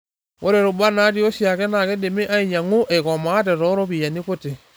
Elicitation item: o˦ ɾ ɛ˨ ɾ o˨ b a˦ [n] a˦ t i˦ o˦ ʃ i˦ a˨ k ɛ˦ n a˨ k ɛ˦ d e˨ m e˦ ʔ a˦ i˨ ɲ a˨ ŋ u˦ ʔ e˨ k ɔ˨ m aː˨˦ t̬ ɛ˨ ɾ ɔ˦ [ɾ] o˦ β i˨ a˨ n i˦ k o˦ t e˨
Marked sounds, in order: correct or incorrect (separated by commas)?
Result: correct, correct